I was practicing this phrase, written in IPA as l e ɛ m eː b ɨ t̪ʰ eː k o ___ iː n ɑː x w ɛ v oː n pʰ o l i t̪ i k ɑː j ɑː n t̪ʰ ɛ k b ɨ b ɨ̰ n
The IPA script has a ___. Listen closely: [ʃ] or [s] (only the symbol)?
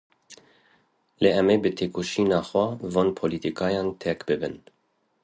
ʃ